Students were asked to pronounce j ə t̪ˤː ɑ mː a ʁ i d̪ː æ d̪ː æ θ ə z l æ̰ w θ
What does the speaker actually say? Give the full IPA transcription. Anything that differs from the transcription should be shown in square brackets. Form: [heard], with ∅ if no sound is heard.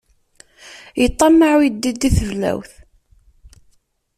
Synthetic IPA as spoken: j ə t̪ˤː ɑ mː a [ʕ] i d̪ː [i] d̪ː [i] θ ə [v] l æ̰ w θ